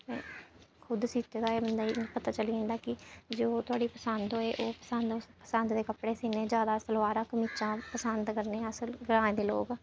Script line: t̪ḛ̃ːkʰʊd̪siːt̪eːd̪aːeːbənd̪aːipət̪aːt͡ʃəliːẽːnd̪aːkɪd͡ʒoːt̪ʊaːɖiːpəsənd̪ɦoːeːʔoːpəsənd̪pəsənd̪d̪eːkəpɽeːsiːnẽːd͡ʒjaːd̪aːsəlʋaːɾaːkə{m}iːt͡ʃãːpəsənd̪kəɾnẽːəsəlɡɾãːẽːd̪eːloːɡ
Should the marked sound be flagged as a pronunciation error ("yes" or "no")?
no